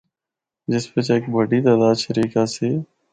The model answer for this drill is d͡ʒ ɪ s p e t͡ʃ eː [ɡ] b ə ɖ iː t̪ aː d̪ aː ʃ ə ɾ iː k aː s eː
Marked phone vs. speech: incorrect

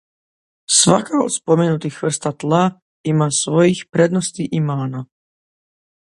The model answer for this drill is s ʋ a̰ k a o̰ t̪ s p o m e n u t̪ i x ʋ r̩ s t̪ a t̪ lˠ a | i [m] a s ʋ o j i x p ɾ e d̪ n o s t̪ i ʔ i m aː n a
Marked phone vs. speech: correct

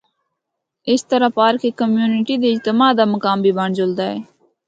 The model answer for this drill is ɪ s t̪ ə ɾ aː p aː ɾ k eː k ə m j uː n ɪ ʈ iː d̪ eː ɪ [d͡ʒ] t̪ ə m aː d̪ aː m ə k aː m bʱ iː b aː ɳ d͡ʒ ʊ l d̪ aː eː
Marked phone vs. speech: correct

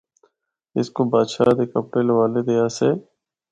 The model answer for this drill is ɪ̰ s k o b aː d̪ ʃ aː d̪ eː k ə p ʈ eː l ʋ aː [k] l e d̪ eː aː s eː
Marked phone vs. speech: incorrect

